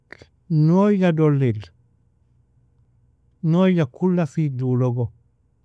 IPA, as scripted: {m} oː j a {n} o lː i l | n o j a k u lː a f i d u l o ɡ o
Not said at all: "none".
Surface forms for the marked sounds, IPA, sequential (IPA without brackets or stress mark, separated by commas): n, d